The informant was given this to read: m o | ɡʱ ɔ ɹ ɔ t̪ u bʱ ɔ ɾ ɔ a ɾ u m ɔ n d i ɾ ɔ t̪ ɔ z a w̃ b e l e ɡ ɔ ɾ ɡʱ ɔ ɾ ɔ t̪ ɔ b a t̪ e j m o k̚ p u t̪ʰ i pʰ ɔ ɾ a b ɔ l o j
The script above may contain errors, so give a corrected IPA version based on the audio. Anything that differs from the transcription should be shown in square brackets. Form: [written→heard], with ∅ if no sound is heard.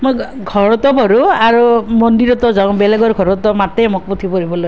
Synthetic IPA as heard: m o | ɡʱ ɔ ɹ ɔ t̪ [u→ɔ] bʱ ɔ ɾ [ɔ→u] a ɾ u m ɔ n d i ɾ ɔ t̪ ɔ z a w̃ b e l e ɡ ɔ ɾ ɡʱ ɔ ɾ ɔ t̪ ɔ [b→m] a t̪ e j m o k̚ p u t̪ʰ i [pʰ→p] ɔ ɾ [a→i] b ɔ l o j